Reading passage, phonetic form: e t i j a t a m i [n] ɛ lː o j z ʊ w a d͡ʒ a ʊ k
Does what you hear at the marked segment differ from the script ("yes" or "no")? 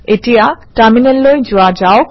no